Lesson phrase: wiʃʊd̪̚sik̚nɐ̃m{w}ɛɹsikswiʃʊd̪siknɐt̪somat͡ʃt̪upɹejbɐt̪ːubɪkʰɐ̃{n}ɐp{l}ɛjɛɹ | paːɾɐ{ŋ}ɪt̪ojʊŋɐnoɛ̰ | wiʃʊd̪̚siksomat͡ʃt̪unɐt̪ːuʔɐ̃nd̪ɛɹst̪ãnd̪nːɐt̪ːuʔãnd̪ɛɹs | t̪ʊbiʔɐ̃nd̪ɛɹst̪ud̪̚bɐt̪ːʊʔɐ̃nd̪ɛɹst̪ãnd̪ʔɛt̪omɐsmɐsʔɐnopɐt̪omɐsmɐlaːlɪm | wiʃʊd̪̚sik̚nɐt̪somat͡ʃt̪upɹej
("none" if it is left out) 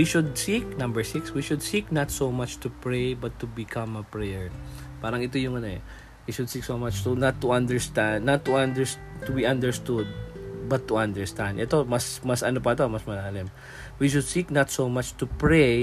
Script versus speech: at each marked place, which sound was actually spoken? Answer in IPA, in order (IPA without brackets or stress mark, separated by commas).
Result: b, m, ɹ, ŋ